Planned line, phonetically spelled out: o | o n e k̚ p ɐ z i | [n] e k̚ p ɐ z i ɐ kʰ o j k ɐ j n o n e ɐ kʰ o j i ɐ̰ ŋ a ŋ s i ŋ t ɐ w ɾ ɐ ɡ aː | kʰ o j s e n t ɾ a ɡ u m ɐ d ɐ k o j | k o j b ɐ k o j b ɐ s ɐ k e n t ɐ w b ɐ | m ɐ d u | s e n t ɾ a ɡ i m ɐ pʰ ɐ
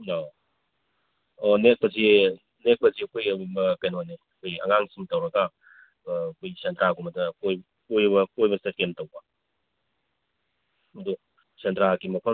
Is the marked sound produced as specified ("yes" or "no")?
yes